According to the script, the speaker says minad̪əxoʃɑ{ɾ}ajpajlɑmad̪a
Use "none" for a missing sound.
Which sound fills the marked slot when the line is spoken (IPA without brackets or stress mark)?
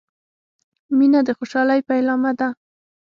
l